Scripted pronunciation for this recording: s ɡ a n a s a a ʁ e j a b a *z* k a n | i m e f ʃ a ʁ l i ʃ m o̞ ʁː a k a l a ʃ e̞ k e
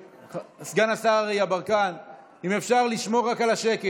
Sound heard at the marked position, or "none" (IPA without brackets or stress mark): ʁ